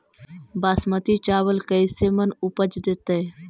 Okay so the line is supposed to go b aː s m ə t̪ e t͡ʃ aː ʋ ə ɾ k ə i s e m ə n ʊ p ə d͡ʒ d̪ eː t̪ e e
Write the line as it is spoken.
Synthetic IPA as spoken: b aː s m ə t̪ i t͡ʃ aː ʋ ə l k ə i s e m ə n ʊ p ə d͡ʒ d̪ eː t̪ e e